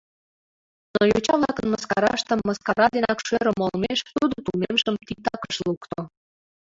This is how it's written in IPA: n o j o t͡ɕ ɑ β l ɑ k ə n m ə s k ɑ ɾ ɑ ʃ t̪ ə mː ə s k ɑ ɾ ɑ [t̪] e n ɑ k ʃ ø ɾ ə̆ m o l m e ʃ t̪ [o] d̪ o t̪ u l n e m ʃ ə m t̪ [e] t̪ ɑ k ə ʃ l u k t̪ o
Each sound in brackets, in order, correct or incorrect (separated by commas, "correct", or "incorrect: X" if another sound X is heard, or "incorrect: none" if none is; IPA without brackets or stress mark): incorrect: d̪, incorrect: u, incorrect: i